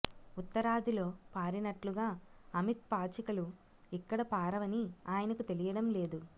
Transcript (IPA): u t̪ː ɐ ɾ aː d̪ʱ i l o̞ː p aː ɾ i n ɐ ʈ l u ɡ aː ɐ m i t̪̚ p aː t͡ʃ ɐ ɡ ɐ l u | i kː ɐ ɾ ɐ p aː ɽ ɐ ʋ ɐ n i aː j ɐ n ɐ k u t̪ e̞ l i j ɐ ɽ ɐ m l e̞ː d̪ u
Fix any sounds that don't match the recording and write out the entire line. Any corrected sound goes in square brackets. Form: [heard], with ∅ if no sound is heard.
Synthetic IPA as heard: u t̪ː ɐ ɾ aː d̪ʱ i l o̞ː p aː ɾ i n ɐ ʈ l u ɡ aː ɐ m i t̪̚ p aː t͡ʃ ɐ [k] ɐ l u | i kː ɐ [ɽ] ɐ p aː [ɾ] ɐ ʋ ɐ n i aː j ɐ n ɐ k u t̪ e̞ l i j ɐ ɽ ɐ m l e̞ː d̪ u